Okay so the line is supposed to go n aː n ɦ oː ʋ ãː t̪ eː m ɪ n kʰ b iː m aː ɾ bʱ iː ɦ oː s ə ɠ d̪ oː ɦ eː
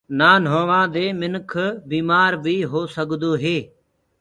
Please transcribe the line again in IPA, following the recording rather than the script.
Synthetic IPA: n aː n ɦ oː ʋ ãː d̪ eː m ɪ n kʰ b iː m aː ɾ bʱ iː ɦ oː s ə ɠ d̪ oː ɦ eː